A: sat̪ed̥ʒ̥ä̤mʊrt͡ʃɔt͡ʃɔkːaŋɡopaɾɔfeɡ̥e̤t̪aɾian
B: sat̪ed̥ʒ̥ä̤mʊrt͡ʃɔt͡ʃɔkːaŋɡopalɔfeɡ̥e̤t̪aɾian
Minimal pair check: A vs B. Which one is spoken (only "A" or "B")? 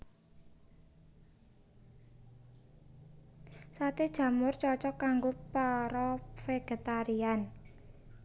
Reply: A